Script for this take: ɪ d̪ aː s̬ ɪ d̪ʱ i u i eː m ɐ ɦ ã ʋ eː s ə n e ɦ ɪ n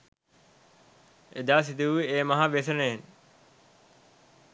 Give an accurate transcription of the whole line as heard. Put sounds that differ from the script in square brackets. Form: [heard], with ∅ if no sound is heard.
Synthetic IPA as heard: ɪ d̪ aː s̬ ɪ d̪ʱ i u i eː m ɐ ɦ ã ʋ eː s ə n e ɦ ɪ n